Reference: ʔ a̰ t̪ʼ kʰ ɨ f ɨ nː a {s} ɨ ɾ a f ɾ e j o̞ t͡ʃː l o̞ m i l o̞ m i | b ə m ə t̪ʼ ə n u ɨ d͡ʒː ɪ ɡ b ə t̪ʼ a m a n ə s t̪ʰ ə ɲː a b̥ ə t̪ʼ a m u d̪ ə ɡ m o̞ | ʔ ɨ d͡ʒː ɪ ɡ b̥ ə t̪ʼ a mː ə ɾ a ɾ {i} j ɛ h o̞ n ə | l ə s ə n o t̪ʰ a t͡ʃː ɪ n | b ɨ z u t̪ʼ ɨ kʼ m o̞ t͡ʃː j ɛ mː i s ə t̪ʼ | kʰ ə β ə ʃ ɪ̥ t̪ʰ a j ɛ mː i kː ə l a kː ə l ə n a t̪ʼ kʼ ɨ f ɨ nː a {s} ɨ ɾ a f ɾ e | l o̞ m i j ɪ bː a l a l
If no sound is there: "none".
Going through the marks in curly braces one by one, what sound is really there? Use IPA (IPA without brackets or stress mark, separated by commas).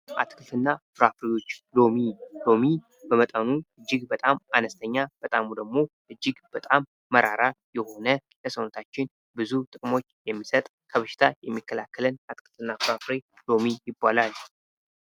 f, a, f